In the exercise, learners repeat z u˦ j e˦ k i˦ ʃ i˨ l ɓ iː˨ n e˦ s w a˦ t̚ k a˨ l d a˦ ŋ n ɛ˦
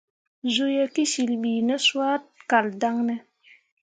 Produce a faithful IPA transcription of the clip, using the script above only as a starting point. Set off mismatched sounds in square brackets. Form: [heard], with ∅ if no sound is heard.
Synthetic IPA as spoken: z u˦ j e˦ k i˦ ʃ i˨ l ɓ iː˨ n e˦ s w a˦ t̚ k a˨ l d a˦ ŋ n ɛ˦